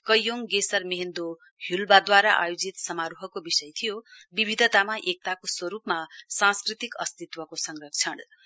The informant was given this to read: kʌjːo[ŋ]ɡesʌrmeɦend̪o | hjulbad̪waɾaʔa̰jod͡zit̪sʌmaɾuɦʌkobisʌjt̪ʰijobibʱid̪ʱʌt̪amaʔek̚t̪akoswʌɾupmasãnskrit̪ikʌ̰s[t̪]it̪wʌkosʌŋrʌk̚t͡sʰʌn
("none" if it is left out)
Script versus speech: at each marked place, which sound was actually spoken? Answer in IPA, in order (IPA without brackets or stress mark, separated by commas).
ŋ, t̪